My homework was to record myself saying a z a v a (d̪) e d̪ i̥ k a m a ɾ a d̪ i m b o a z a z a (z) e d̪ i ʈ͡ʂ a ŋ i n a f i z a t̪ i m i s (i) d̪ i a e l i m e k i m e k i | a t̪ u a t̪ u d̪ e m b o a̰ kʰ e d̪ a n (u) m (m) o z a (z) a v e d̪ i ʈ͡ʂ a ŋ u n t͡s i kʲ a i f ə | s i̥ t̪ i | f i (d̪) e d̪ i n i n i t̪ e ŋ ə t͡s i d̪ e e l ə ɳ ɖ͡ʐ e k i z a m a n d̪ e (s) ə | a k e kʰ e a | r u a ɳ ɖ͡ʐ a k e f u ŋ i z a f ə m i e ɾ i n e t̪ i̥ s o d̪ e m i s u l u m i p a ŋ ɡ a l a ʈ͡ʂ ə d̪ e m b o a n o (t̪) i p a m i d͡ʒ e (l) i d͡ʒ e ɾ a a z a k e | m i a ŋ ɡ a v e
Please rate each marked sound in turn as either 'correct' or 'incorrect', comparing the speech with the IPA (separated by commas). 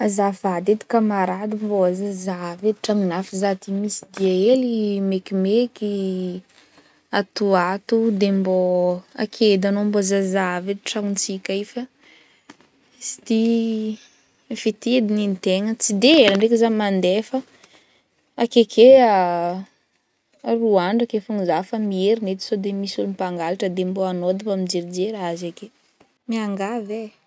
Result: correct, incorrect, correct, incorrect, incorrect, correct, incorrect, incorrect, incorrect, incorrect